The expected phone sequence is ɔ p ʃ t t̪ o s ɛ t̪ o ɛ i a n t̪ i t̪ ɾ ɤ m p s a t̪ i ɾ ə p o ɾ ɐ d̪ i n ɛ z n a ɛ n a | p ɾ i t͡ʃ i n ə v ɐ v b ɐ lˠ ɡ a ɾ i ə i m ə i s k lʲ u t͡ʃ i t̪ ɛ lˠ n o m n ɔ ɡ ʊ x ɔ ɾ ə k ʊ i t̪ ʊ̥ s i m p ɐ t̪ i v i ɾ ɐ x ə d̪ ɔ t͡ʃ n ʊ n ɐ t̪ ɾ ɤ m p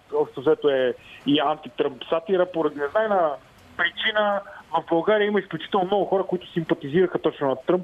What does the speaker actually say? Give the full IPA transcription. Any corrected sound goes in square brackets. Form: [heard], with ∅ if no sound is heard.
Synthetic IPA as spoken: ɔ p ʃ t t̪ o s ɛ t̪ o ɛ i a n t̪ i t̪ ɾ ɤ m p s a t̪ i ɾ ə p o ɾ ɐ d̪ i n ɛ z n a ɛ n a | p ɾ i t͡ʃ i n ə v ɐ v b ɐ lˠ ɡ a ɾ i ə i m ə i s k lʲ u t͡ʃ i t̪ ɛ lˠ n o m n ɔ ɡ ʊ x ɔ ɾ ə k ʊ i t̪ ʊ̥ s i m p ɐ t̪ i [z] i ɾ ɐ x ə [t̪] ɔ t͡ʃ n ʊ n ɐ t̪ ɾ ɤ m p